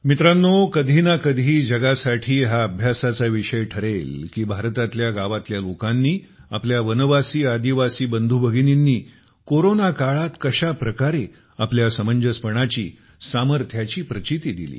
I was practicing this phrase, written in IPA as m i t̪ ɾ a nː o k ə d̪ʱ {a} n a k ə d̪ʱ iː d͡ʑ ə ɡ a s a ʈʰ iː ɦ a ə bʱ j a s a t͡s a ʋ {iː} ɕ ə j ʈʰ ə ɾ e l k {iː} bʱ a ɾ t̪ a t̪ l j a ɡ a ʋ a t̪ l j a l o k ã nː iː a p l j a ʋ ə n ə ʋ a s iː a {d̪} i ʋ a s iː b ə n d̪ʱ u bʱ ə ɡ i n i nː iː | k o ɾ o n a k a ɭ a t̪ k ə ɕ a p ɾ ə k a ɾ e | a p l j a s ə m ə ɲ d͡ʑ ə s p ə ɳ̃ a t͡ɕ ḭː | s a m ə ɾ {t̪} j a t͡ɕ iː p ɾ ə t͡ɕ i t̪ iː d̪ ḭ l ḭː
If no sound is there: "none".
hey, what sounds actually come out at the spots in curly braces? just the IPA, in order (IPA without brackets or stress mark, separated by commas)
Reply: i, i, iː, d̪, t̪ʰ